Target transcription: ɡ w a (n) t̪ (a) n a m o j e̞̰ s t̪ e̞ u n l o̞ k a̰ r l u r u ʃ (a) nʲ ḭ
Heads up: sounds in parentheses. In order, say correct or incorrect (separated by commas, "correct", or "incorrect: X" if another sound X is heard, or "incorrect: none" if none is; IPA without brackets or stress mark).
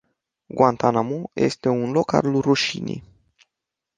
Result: correct, correct, incorrect: i